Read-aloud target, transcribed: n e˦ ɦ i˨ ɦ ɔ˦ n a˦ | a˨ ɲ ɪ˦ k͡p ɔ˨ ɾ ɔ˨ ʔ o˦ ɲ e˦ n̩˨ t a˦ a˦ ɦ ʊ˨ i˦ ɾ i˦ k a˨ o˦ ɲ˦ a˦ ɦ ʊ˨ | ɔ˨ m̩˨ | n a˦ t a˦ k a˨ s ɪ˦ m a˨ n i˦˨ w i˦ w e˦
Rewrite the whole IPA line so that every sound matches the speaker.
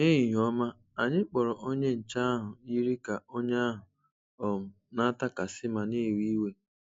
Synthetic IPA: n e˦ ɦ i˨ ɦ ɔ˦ m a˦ | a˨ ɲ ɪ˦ k͡p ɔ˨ ɾ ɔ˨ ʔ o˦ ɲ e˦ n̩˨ t͡ʃ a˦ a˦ ɦ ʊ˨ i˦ ɾ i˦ k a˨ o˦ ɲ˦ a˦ ɦ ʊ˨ | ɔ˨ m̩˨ | n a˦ t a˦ k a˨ s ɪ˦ m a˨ n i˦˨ w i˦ w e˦